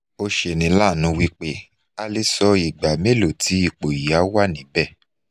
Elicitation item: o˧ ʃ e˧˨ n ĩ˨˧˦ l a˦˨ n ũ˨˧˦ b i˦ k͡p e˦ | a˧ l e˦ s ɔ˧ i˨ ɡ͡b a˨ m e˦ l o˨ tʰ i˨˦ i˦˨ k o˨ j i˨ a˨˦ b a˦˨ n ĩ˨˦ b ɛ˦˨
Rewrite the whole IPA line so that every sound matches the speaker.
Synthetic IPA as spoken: o˧ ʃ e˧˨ n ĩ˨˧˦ l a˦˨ n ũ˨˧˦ w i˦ k͡p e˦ | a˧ l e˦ s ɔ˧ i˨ ɡ͡b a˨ m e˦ l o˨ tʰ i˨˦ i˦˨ k͡p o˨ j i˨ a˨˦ w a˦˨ n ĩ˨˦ b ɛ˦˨